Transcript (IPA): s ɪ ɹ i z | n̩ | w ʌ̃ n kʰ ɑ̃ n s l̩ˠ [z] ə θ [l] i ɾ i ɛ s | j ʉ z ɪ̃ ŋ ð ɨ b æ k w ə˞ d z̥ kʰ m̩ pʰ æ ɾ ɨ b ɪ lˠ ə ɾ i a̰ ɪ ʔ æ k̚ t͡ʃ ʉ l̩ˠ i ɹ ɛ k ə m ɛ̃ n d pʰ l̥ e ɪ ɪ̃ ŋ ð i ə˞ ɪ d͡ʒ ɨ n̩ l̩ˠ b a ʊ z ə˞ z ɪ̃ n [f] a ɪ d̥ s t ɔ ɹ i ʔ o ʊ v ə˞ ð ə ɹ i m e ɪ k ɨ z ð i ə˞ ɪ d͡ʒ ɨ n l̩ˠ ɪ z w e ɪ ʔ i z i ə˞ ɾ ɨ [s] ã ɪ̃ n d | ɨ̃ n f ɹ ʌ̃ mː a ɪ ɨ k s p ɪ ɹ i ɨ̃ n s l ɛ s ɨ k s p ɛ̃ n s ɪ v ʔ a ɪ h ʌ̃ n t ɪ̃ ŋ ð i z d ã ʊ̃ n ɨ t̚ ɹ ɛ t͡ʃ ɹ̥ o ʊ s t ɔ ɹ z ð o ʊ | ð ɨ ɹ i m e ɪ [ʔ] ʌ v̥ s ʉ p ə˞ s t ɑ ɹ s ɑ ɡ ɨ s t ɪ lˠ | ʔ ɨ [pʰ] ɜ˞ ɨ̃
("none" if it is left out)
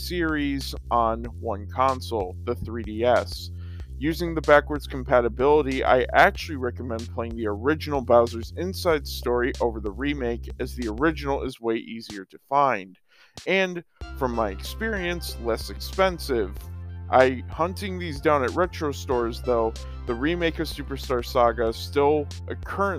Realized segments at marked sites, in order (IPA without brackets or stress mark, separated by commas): ð, ɹ, s, f, k, kʰ